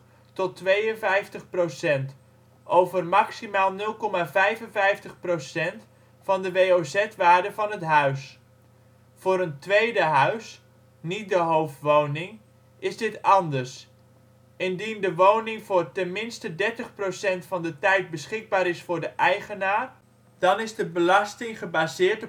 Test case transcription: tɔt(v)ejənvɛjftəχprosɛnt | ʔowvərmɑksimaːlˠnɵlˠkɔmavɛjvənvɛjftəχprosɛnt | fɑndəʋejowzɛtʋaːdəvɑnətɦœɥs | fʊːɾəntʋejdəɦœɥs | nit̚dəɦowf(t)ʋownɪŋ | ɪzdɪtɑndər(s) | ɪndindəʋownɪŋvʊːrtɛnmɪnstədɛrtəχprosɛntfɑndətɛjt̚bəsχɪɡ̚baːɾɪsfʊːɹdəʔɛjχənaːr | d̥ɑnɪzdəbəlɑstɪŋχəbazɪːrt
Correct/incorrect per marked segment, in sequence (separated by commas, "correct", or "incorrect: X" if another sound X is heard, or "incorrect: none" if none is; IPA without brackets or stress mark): incorrect: ʋ, correct, correct